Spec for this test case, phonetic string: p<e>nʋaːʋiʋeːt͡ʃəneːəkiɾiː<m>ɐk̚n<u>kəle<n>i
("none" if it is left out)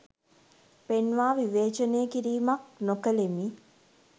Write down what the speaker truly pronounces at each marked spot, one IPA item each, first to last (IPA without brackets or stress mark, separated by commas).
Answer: e, m, o, m